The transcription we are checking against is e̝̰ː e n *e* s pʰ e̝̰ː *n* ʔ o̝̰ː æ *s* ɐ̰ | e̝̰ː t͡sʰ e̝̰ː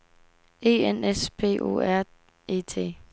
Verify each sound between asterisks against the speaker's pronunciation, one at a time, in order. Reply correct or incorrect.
correct, incorrect: none, incorrect: none

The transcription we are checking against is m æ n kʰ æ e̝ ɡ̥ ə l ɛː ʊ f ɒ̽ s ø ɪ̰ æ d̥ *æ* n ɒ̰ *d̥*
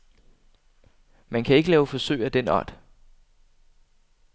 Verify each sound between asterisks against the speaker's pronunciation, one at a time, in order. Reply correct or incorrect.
incorrect: e, correct

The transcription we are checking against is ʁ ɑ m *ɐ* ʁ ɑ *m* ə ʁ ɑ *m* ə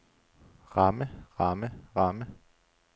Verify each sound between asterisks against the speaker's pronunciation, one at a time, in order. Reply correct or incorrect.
incorrect: ə, correct, correct

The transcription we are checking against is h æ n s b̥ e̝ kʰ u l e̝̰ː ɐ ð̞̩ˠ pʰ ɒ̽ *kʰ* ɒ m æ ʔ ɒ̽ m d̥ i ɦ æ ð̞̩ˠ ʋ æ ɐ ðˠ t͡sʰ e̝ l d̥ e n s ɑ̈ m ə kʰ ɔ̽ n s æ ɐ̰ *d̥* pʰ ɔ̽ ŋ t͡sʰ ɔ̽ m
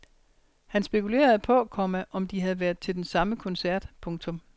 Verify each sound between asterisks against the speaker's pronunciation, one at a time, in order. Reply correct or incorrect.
correct, correct

